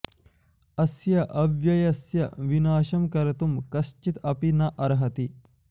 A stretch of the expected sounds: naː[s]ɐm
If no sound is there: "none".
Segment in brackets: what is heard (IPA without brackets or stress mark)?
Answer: ʃ